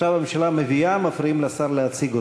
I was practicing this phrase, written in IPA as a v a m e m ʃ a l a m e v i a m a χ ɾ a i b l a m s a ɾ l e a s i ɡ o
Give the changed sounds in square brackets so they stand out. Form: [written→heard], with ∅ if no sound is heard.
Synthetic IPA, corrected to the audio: a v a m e m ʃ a l a m e v i a m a [χ→f] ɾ [a→i] i [b→m] l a [m→∅] s a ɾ l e a [s→t͡s] i ɡ o